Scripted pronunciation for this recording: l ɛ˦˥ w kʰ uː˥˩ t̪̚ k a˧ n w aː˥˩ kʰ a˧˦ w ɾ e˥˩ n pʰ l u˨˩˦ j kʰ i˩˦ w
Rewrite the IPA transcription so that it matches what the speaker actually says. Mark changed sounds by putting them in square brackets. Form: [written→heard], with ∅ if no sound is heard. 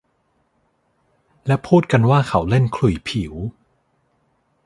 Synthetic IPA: l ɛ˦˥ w [kʰ→pʰ] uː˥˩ t̪̚ k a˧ n w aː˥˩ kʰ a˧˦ w [ɾ→l] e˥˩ n [pʰ→kʰ] l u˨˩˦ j [kʰ→pʰ] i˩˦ w

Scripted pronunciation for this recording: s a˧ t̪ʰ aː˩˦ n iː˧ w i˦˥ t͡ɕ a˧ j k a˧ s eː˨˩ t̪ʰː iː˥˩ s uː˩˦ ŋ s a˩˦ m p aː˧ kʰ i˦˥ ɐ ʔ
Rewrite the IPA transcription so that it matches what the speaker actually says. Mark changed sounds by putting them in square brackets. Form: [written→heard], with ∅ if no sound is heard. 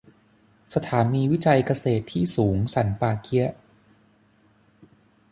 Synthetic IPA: s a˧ t̪ʰ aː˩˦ n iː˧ w i˦˥ t͡ɕ a˧ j k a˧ s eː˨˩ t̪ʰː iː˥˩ s uː˩˦ ŋ s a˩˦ [m→n] p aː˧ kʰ i˦˥ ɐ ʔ

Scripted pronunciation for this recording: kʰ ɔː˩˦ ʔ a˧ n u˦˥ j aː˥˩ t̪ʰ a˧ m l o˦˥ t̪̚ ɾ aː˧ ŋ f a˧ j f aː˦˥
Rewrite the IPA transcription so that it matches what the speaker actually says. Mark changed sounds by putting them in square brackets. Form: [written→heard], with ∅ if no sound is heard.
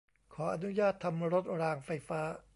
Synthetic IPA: kʰ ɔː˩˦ ʔ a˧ n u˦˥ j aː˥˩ t̪ʰ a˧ m [l→ɾ] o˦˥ t̪̚ ɾ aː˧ ŋ f a˧ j f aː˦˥

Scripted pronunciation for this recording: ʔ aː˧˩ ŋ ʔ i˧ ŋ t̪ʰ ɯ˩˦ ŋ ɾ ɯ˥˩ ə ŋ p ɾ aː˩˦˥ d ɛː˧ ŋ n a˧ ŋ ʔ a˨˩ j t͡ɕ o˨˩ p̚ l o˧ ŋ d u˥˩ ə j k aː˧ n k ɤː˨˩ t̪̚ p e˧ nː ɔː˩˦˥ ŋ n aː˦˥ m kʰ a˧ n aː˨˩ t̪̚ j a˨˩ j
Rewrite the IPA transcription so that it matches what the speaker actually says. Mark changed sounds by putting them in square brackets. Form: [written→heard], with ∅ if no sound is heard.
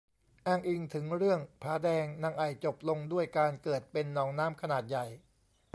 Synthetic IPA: ʔ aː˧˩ ŋ ʔ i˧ ŋ t̪ʰ ɯ˩˦ ŋ ɾ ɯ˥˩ ə ŋ [p→pʰ] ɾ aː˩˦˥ d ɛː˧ ŋ n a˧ ŋ ʔ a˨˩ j t͡ɕ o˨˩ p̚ l o˧ ŋ d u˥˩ ə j k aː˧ n k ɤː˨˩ t̪̚ p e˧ nː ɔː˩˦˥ ŋ n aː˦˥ m kʰ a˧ n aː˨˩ t̪̚ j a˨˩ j

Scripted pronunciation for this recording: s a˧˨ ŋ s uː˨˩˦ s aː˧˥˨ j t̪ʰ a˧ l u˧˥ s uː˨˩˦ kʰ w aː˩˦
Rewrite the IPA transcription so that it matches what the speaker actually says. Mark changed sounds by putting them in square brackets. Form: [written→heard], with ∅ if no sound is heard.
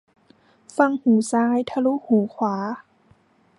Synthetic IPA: [s→f] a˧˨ ŋ [s→h] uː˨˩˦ s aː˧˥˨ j t̪ʰ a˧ l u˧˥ [s→h] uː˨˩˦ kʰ w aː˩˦

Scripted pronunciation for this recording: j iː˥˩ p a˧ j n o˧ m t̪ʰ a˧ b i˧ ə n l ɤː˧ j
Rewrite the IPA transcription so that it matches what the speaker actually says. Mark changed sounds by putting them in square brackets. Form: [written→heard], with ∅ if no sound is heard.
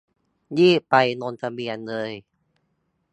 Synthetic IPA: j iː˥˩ p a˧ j n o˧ [m→n] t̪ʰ a˧ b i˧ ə n l ɤː˧ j

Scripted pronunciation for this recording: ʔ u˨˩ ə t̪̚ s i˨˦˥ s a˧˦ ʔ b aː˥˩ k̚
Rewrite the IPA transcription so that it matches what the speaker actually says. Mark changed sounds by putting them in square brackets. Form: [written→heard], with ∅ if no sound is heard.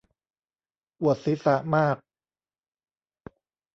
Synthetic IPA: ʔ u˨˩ ə t̪̚ s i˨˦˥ s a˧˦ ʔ [b→m] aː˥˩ k̚

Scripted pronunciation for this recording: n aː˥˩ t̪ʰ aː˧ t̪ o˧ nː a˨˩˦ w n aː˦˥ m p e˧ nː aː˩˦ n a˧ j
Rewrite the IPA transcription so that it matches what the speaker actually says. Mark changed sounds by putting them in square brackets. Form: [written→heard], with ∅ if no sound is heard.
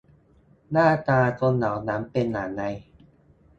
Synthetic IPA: n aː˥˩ [t̪ʰ→t̪] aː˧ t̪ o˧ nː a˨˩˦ w n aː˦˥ m p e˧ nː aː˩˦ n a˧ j

